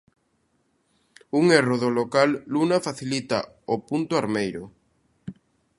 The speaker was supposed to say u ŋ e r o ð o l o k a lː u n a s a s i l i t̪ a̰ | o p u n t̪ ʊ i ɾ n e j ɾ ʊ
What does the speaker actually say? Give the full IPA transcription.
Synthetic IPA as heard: u ŋ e r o ð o l o k a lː u n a f a θ i l i t̪ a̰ | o p u n t̪ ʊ a ɾ m e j ɾ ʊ